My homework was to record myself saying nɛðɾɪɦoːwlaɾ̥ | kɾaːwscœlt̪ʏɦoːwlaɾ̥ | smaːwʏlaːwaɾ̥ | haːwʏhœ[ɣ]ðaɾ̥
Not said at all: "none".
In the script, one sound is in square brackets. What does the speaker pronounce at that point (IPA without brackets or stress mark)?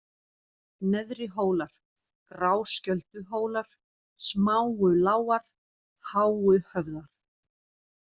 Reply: v